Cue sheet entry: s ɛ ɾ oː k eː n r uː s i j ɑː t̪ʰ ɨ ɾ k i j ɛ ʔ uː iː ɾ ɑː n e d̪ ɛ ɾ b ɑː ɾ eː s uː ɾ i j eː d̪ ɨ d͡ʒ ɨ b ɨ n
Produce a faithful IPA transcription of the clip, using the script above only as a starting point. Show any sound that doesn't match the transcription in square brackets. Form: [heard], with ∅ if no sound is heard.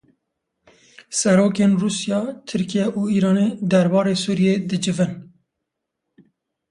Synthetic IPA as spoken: s ɛ ɾ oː k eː n r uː s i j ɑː t̪ʰ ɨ ɾ k i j ɛ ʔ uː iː ɾ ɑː n e d̪ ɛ ɾ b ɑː ɾ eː s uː ɾ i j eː d̪ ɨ d͡ʒ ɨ [v] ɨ n